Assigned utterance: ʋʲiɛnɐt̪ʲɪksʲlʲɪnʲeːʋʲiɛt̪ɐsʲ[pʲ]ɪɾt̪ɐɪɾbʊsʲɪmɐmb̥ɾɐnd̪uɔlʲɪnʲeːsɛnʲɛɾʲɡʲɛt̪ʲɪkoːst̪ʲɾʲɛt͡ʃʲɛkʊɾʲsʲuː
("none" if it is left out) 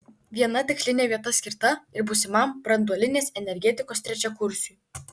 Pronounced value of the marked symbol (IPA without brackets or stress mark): kʲ